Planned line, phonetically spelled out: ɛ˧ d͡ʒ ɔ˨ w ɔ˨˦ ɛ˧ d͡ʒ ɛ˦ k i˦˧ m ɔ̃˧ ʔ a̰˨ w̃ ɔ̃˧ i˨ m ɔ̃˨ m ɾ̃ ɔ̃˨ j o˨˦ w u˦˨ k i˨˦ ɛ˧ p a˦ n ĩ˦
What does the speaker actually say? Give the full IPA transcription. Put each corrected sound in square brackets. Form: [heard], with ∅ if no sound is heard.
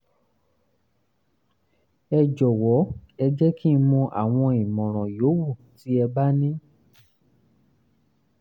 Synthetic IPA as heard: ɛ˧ d͡ʒ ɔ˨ w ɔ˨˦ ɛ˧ d͡ʒ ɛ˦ k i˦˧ m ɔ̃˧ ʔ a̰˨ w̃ ɔ̃˧ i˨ m ɔ̃˨ [∅] ɾ̃ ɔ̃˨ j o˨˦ w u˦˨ [t] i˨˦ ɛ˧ [b] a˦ n ĩ˦